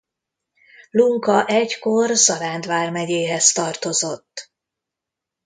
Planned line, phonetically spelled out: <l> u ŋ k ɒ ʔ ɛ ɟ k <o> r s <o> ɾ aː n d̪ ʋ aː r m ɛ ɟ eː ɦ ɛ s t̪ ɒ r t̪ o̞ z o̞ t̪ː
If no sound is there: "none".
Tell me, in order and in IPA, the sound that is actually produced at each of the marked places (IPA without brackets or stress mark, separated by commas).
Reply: l, o, ɒ